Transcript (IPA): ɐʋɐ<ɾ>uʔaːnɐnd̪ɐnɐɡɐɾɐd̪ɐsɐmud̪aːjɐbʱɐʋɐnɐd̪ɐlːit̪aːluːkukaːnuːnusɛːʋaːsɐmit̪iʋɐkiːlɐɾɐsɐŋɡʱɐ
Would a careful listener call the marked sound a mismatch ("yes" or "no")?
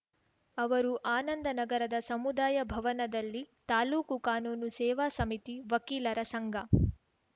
no